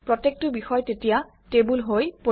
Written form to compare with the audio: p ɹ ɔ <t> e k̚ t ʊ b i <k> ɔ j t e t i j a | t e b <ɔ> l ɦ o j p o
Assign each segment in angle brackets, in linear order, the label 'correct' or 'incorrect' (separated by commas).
correct, incorrect, incorrect